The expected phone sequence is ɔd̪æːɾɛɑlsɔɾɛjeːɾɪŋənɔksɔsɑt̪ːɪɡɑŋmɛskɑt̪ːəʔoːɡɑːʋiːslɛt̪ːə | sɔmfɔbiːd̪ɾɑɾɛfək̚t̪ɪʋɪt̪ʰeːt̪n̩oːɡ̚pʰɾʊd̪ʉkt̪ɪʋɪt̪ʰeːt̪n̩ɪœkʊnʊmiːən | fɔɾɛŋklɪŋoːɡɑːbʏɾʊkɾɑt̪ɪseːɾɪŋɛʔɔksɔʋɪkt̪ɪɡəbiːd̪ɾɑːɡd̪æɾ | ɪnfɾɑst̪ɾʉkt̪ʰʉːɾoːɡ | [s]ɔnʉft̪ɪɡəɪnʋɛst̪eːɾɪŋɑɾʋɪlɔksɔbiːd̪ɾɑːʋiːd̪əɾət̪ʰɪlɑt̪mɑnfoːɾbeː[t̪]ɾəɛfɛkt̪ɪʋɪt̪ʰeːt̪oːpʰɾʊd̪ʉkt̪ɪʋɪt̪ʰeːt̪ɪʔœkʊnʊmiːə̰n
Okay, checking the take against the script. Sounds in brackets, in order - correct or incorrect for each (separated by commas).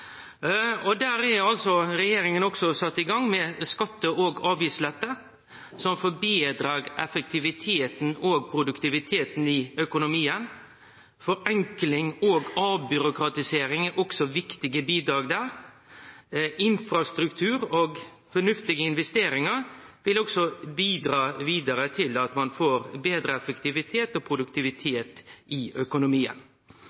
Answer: incorrect, incorrect